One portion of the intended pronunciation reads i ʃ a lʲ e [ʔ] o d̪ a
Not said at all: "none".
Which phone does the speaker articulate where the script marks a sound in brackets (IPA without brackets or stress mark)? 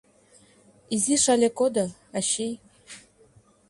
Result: k